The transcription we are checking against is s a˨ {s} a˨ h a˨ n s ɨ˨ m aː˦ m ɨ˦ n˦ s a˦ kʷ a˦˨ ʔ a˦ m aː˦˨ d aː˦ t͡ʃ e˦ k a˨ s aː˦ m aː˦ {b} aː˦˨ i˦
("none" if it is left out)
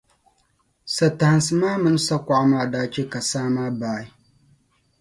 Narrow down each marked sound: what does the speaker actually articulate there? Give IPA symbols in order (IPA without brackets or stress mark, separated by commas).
t, b